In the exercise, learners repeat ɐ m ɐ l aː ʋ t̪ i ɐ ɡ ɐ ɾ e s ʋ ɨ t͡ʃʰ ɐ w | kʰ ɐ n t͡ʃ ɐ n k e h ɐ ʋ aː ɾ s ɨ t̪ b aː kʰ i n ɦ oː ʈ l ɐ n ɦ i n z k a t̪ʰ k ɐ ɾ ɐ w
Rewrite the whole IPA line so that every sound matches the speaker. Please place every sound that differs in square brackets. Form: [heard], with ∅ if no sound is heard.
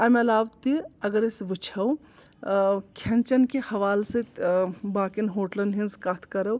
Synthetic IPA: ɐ m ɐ l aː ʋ t̪ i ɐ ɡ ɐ ɾ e s ʋ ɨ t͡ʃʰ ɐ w | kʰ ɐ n t͡ʃ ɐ n k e h ɐ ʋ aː [l] s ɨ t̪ b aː [k] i n ɦ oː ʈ l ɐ n ɦ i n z k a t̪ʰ k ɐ ɾ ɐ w